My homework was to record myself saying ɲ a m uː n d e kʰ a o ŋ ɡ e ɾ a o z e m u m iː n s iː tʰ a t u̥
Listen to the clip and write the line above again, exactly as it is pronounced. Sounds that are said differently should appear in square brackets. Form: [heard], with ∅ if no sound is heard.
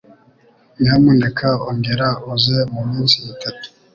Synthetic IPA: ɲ a m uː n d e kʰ a o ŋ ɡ e ɾ a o z e m u m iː n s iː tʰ a t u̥